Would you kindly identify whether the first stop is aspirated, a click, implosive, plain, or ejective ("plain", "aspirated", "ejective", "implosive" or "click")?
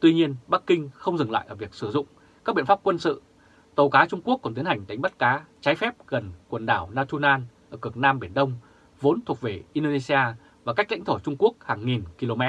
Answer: plain